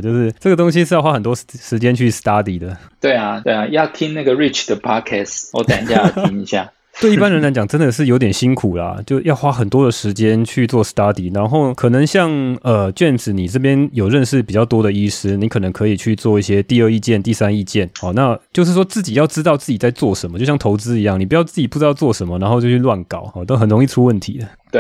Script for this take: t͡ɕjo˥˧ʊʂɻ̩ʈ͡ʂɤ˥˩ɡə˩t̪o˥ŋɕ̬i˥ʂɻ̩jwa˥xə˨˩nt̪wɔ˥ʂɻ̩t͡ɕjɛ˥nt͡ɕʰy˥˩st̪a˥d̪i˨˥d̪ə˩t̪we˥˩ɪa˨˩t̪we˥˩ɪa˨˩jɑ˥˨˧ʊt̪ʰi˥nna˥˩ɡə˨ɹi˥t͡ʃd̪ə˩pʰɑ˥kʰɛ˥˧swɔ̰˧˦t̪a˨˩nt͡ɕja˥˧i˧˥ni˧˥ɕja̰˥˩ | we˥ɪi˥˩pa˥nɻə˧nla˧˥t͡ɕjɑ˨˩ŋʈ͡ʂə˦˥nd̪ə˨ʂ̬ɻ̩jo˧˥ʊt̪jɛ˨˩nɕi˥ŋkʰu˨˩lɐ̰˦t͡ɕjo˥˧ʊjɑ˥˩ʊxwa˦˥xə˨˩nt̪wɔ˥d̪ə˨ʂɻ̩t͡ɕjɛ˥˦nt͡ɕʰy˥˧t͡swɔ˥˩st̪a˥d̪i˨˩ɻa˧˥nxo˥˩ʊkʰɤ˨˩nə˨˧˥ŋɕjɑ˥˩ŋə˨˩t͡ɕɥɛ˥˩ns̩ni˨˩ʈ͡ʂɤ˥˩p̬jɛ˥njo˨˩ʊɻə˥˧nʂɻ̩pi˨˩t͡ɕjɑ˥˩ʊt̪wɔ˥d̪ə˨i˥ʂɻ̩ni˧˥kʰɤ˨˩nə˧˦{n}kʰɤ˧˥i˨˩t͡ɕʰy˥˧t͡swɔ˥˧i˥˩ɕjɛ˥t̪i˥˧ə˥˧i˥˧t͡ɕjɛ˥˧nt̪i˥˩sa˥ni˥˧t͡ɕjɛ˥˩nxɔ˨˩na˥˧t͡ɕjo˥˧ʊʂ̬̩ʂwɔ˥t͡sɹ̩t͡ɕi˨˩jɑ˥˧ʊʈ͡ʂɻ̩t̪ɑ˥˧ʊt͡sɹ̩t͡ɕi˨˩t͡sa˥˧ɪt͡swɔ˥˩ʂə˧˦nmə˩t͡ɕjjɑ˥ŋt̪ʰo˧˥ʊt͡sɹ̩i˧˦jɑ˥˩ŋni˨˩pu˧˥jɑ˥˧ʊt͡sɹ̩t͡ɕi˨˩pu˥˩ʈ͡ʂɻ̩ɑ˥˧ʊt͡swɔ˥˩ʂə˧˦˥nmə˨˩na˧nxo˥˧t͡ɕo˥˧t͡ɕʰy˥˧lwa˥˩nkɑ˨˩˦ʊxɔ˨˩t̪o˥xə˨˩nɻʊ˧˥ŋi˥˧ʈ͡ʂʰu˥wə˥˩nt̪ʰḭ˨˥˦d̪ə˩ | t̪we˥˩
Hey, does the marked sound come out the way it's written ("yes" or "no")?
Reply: no